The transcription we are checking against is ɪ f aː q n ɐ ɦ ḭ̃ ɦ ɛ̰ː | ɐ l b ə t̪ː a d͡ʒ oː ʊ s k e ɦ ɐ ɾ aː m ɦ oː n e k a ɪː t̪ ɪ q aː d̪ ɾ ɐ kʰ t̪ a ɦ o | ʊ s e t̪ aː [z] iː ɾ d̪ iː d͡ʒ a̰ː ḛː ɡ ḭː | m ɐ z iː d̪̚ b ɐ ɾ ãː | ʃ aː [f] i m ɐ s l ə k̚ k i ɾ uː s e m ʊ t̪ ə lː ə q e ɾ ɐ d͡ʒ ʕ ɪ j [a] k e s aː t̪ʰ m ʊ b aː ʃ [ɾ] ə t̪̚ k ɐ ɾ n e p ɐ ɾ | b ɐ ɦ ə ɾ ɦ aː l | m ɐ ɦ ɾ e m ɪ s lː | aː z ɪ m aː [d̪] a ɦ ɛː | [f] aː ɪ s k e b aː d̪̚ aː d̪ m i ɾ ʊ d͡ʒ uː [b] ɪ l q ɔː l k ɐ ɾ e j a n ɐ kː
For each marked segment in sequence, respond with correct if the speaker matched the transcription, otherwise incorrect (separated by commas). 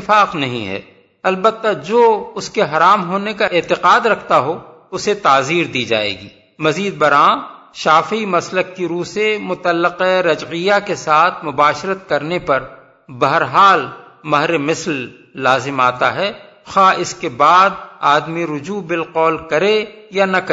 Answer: correct, correct, correct, correct, incorrect, incorrect, correct